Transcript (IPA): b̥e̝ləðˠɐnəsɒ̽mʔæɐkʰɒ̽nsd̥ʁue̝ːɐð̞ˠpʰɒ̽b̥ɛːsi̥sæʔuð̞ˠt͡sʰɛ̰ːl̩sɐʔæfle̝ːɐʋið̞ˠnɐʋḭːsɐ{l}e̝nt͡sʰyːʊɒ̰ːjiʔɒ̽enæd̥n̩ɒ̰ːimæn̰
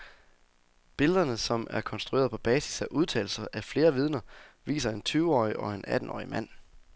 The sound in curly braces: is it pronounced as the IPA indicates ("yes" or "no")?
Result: no